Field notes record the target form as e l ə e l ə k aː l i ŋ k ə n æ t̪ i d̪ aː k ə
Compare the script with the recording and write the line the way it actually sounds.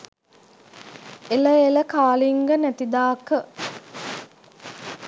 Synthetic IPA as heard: e l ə e l ə k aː l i ŋ ɡ ə n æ t̪ i d̪ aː k ə